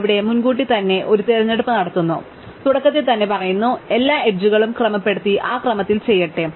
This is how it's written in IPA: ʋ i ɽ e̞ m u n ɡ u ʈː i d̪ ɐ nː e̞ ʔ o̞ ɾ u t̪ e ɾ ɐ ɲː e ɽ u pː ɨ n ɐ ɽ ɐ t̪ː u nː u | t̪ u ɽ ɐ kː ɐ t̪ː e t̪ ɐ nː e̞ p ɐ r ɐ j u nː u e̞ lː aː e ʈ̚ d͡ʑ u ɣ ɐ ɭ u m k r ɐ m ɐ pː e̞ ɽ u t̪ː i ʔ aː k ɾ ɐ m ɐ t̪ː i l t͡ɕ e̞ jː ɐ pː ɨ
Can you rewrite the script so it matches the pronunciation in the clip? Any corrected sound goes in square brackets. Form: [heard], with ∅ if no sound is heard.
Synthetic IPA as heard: ʋ i ɽ e̞ m u n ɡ [uː] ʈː i [t̪] ɐ nː e̞ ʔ o̞ ɾ u t̪ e ɾ ɐ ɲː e ɽ u pː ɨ n ɐ ɽ ɐ t̪ː u nː u | t̪ u ɽ ɐ kː ɐ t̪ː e t̪ ɐ nː e̞ p ɐ r ɐ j u nː u e̞ lː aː e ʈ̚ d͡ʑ u ɣ ɐ ɭ u m k r ɐ m ɐ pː e̞ ɽ u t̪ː i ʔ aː k [r] ɐ m ɐ t̪ː i l t͡ɕ e̞ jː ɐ [ʈː] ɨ